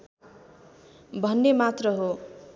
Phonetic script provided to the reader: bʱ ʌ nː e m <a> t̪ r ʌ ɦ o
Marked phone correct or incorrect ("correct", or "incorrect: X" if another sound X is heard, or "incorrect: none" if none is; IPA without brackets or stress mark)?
correct